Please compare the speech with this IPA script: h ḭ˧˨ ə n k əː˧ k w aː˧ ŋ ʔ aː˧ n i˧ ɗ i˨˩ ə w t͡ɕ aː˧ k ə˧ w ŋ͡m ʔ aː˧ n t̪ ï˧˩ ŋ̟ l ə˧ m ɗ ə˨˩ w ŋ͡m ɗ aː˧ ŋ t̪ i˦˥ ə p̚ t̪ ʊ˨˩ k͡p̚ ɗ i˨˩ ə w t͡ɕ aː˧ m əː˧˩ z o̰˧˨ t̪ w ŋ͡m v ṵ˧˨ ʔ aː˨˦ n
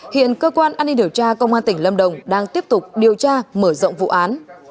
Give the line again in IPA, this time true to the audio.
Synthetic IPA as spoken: h ḭ˧˨ ə n k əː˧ k w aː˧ n ʔ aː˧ n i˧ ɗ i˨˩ ə w t͡ɕ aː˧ k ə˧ w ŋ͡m ʔ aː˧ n t̪ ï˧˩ ŋ̟ l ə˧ m ɗ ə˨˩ w ŋ͡m ɗ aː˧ ŋ t̪ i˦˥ ə p̚ t̪ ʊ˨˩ k͡p̚ ɗ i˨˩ ə w t͡ɕ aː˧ m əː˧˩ z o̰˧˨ w ŋ͡m v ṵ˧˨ ʔ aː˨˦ n